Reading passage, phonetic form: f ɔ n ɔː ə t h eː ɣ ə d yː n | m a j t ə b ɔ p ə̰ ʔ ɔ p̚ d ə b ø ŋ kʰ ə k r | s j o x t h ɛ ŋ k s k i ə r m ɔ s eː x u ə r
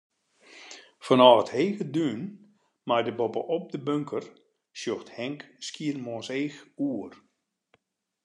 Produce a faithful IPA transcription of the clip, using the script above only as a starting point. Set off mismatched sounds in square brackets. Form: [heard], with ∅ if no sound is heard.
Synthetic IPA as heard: f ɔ n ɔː ə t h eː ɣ ə d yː n | m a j [d] ə b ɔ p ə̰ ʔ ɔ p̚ d ə b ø ŋ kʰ ə [∅] r | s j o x t h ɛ ŋ k s k i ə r m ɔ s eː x u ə r

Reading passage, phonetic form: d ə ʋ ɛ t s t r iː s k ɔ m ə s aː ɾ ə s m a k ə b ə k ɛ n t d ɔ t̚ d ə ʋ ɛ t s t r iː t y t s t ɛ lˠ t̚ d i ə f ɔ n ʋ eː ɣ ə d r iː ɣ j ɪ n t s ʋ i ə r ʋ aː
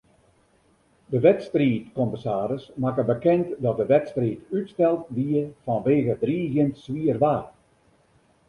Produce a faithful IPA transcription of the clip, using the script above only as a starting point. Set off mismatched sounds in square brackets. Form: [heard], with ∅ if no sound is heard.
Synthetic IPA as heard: d ə ʋ ɛ t s t r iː [t] k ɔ m ə s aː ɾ ə s m a k ə b ə k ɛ n t d ɔ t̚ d ə ʋ ɛ t s t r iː t y t s t ɛ lˠ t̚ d i ə f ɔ n ʋ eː ɣ ə d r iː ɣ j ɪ n t s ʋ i ə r ʋ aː

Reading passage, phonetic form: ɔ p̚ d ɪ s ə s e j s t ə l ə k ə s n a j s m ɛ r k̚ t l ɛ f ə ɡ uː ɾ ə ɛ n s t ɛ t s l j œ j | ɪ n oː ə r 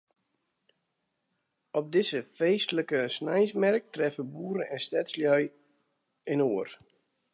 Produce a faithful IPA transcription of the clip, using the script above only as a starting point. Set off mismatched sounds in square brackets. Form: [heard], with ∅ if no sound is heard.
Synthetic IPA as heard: ɔ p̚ d ɪ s ə [f] e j s t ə l ə k ə s n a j s m ɛ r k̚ t [r] ɛ f ə [b] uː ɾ ə ɛ n s t ɛ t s l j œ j | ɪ n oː ə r

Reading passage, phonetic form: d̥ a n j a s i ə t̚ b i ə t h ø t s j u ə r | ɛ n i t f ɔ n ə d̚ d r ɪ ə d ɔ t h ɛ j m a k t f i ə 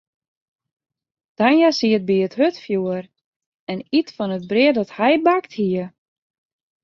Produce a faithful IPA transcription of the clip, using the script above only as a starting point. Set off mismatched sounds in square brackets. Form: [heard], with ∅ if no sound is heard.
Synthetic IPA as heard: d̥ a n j a s i ə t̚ b i ə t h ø t [f] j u ə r | ɛ n i t f ɔ n ə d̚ [b] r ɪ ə d ɔ t h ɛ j [b] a k t [h] i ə

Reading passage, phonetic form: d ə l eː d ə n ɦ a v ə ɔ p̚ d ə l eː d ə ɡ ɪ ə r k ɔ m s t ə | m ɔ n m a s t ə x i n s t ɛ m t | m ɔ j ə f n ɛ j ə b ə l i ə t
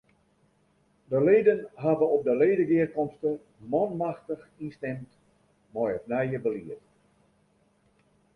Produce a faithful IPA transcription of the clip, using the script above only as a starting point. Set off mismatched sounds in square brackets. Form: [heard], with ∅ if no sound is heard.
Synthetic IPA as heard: d ə l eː d ə n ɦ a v ə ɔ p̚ d ə l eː d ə ɡ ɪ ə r k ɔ m s t ə | m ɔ n m a [x] t ə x i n s t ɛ m t | m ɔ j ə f n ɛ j ə b ə l i ə t

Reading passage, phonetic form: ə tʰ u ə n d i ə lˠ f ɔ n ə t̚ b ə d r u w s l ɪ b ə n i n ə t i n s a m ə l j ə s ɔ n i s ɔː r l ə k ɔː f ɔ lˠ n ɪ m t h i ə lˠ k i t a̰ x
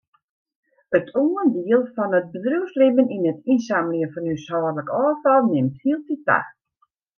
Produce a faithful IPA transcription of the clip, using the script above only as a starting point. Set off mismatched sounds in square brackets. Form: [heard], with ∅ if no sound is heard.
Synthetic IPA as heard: ə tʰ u ə n d i ə lˠ f ɔ n ə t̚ b ə d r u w s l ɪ b ə n i n ə t i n s a m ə l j ə [f] ɔ n [y] s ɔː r l ə k ɔː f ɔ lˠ n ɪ m t h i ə lˠ [t] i t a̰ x

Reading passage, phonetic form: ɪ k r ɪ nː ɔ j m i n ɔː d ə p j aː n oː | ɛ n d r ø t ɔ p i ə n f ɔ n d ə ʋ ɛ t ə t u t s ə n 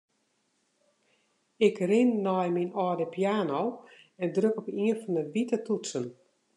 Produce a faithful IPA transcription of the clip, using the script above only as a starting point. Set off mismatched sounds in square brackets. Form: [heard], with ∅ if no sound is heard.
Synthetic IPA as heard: ɪ k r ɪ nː ɔ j m i n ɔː d ə p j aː n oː | ɛ n d r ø [k] ɔ p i ə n f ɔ n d ə ʋ [i] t ə t u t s ə n

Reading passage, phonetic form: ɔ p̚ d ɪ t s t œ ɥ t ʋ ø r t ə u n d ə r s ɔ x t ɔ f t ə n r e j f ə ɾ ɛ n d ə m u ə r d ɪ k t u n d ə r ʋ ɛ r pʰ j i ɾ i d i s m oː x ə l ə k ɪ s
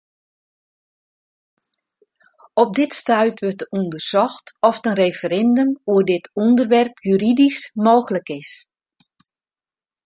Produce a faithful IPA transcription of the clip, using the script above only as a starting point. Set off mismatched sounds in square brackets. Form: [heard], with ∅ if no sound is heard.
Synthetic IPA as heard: ɔ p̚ d ɪ t s t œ ɥ t ʋ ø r t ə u n d ə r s ɔ x t ɔ f t ə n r e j f ə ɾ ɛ n d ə m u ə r d ɪ [∅] t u n d ə r ʋ ɛ r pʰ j [y] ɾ i d i s m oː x ə l ə k ɪ s

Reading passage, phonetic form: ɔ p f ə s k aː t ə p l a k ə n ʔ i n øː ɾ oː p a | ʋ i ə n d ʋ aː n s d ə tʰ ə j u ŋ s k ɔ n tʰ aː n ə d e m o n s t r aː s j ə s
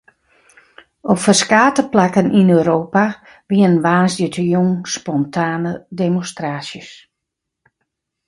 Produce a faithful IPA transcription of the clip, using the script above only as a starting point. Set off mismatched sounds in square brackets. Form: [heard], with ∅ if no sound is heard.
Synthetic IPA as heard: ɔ p f ə s k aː t ə p l a k ə n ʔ i n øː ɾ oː p a | ʋ i ə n [n] ʋ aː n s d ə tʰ ə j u ŋ s [p] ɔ n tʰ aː n ə d e m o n s t r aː s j ə s

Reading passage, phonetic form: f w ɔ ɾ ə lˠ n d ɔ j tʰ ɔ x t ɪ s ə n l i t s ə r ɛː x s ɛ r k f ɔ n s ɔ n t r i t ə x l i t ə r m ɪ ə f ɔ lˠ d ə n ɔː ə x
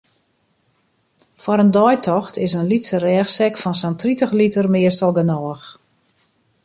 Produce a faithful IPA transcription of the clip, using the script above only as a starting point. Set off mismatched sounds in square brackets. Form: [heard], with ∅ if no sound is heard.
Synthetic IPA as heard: f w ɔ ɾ ə [∅] n d ɔ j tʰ ɔ x t ɪ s ə n l i t s ə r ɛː x s ɛ [∅] k f ɔ n s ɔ n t r i t ə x l i t ə r m ɪ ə [s] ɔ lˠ [ɡ] ə n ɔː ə x

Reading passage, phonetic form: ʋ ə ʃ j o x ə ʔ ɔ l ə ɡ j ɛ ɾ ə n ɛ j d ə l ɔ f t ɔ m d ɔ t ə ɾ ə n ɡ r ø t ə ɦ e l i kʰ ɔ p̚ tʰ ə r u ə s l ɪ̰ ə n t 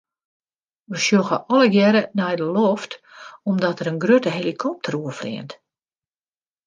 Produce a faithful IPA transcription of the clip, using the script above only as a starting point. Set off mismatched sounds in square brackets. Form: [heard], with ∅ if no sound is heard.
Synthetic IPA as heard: ʋ ə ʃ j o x ə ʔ ɔ l ə ɡ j ɛ ɾ ə n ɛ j d ə l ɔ f t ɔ m d ɔ t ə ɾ ə n ɡ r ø t ə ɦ e l i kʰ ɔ p̚ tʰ ə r u ə [f] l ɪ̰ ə n t

